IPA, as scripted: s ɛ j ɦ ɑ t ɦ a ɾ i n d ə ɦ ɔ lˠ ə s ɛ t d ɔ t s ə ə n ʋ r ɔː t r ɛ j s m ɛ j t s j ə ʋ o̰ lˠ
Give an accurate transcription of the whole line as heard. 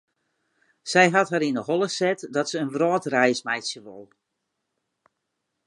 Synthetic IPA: s ɛ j ɦ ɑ t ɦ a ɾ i n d ə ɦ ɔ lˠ ə s ɛ t d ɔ t s ə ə n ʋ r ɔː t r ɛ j s m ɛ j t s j ə ʋ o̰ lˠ